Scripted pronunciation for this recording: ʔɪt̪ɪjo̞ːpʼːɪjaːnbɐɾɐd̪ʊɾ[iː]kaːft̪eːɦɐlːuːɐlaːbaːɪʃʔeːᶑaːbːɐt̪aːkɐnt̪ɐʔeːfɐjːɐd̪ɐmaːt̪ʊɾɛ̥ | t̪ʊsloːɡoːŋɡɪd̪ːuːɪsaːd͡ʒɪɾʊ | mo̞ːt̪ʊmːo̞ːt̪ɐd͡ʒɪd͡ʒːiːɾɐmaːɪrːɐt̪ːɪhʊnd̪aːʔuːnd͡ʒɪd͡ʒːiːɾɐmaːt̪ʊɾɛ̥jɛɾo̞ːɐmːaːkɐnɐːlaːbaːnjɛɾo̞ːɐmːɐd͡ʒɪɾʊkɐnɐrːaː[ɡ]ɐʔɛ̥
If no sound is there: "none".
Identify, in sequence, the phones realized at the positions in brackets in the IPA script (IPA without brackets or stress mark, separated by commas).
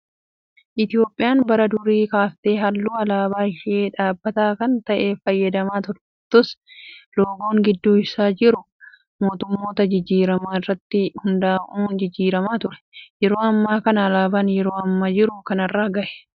iː, ɡ